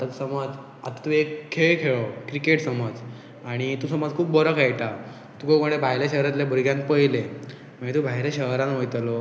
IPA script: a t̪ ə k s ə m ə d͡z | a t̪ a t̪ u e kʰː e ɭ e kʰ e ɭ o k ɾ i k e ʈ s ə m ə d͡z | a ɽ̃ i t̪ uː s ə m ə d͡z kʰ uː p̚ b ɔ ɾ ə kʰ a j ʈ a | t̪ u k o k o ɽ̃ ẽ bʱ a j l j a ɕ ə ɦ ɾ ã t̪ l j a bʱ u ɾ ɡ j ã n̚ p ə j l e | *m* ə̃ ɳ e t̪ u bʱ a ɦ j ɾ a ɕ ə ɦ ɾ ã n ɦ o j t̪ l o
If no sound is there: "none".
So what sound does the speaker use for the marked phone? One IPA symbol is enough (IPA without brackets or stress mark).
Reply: m